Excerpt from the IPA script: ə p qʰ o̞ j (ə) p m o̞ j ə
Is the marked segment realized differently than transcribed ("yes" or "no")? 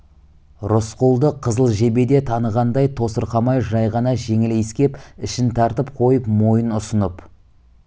no